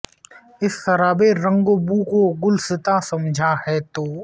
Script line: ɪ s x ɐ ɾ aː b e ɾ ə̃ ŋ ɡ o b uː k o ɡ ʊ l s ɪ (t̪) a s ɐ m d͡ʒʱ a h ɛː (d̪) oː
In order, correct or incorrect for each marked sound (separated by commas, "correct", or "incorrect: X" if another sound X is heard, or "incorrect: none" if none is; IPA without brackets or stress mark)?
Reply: correct, incorrect: t̪